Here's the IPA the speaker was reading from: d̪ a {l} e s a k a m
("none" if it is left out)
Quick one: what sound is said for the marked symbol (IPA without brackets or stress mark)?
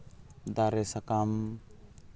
ɾ